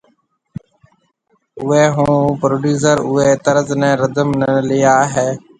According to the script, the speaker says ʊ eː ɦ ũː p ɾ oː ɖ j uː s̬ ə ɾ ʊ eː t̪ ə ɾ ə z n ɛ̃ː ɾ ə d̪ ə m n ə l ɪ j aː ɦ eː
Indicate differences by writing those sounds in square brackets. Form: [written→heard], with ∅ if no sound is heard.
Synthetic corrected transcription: ʊ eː ɦ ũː p ɾ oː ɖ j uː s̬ ə ɾ ʊ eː t̪ ə ɾ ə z n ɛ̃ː ɾ ə d̪ ə m n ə l ɪ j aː ɦ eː